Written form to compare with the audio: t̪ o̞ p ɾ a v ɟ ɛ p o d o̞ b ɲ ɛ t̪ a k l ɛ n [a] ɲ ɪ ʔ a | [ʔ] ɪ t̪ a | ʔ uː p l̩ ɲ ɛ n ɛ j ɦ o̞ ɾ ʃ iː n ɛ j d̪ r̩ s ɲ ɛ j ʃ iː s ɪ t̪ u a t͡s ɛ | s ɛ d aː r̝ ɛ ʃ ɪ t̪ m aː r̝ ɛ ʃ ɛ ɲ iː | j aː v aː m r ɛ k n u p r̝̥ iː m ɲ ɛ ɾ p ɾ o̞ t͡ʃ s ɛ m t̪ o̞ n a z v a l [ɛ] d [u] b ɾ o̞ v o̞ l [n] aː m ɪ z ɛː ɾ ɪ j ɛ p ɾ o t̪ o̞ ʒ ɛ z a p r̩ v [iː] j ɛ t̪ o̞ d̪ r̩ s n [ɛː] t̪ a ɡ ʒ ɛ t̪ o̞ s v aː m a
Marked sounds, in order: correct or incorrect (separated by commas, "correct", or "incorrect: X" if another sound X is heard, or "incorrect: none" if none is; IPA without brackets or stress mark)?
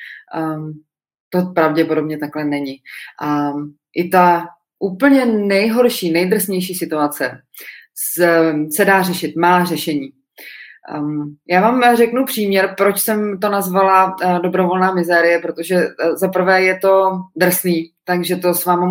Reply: incorrect: ɛ, correct, incorrect: a, incorrect: o, correct, incorrect: ɛː, incorrect: iː